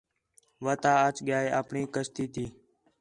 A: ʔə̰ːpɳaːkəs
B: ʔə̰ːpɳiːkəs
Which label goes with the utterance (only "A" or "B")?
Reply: B